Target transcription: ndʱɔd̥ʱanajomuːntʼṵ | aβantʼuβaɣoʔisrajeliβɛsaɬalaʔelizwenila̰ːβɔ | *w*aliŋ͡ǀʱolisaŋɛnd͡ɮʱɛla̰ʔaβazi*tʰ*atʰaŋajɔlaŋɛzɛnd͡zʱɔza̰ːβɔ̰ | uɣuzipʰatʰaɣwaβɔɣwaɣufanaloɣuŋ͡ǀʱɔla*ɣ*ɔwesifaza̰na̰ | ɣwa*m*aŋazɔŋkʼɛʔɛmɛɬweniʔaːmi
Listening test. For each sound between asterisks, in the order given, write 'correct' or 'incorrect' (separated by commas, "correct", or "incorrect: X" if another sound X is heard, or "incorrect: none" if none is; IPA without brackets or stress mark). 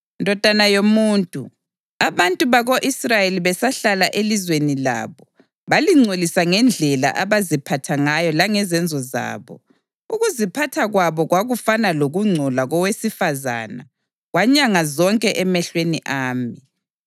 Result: incorrect: β, incorrect: pʰ, correct, incorrect: ɲ